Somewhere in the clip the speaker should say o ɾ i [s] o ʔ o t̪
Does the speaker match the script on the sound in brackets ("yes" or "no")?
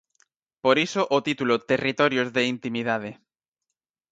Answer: yes